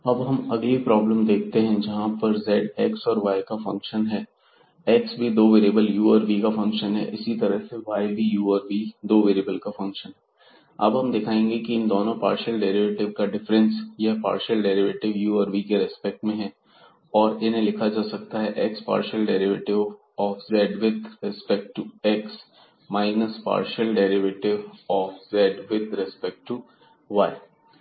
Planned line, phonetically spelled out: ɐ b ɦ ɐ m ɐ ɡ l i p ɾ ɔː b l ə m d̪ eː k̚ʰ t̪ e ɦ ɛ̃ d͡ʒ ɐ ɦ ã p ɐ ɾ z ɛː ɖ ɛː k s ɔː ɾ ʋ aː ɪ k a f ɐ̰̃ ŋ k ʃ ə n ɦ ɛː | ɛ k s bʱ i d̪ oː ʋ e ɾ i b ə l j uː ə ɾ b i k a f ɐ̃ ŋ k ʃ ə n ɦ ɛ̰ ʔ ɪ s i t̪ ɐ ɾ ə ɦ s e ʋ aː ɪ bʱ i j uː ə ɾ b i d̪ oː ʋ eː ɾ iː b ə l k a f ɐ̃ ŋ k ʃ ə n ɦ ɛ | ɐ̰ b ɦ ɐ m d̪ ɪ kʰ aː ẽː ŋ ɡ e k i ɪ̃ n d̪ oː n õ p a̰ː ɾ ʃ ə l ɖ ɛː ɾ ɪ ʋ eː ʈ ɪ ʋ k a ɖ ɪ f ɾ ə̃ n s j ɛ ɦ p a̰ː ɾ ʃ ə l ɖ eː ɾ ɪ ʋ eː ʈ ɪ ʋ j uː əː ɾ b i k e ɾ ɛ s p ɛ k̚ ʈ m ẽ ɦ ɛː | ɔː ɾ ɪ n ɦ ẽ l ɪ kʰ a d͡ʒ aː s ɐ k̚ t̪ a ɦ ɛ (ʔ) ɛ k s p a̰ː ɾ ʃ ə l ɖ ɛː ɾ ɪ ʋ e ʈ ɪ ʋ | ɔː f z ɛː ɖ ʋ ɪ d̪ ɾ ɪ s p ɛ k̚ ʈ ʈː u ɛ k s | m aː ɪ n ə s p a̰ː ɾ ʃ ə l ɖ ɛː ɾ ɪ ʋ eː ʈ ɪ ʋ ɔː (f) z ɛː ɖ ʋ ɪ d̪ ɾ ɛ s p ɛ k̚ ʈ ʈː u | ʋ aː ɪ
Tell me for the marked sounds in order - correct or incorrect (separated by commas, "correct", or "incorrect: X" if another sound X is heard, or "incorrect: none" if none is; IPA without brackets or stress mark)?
correct, correct